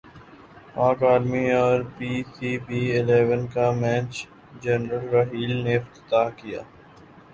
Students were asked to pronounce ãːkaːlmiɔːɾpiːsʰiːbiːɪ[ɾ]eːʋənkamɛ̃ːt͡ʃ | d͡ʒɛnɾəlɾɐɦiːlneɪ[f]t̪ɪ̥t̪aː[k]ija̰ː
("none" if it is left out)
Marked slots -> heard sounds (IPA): l, f, k

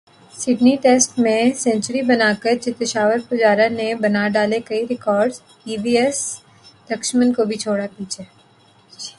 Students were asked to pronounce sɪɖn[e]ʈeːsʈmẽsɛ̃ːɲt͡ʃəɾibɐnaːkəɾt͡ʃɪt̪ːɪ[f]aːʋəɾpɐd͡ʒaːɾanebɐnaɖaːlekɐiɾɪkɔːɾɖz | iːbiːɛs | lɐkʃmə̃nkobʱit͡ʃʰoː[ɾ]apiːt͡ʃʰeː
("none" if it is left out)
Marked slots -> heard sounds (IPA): i, ʃ, ɽ

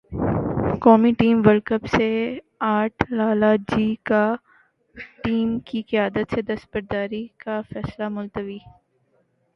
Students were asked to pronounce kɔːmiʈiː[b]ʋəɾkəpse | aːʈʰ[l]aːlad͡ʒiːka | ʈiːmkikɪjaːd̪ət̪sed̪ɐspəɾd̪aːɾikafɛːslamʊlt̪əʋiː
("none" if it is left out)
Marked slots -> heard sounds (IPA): m, l

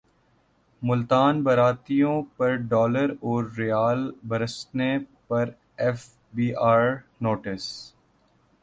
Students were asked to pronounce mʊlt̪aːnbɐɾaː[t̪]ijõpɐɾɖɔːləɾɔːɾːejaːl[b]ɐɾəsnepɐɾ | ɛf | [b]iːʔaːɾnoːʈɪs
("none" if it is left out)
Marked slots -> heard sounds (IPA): t̪, b, b

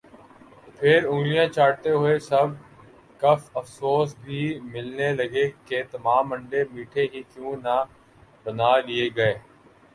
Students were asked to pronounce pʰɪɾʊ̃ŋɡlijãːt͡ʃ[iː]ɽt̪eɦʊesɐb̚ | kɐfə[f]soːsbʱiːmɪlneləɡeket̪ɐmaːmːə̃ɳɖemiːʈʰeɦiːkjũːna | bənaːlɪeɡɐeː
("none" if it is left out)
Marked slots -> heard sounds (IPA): aː, f

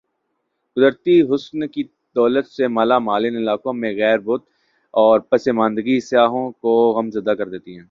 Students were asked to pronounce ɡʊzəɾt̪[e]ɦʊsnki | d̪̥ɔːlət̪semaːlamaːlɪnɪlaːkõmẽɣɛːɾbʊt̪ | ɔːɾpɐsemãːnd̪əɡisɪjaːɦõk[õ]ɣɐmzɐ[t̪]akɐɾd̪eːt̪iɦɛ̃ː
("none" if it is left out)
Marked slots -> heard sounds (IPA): i, o, d̪

